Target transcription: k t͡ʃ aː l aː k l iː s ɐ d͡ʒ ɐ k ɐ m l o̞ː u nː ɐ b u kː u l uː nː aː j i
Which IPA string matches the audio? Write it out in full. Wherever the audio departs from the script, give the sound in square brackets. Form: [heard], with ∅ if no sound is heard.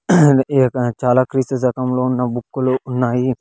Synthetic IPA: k t͡ʃ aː l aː k [ɾ] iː s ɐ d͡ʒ ɐ k ɐ m l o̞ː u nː ɐ b u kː u l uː nː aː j i